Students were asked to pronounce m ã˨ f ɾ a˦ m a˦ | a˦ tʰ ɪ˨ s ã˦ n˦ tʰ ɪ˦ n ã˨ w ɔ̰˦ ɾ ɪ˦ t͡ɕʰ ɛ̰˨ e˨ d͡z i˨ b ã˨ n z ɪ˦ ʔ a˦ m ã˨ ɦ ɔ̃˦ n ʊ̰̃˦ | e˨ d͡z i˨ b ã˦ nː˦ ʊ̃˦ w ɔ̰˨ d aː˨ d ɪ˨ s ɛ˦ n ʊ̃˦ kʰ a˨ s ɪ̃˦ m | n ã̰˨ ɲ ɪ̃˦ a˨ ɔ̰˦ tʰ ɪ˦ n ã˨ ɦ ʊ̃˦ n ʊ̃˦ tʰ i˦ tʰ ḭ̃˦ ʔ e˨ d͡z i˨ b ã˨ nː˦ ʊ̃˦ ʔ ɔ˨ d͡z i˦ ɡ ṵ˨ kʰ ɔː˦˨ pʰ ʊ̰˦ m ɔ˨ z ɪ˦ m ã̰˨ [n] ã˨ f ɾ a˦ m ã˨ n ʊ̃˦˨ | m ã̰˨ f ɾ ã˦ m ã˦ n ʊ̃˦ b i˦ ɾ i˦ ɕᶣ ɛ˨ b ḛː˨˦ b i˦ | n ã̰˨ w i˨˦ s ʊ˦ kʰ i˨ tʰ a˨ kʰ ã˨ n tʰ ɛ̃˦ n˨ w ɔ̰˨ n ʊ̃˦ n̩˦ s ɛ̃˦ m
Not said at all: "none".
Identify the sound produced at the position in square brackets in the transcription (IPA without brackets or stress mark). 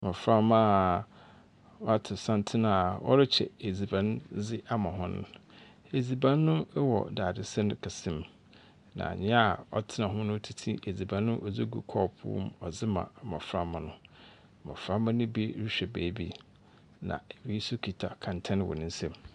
m